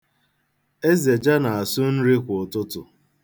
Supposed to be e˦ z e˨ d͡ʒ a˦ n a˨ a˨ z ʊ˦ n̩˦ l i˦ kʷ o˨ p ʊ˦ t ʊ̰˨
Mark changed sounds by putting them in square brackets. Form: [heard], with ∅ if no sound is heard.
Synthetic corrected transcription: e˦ z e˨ d͡ʒ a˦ n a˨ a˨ [s] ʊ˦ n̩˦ [ɾ] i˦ kʷ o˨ [t] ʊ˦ t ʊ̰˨